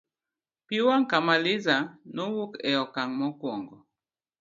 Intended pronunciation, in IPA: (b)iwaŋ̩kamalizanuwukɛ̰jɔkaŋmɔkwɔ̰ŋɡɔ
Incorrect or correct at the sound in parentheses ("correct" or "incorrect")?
incorrect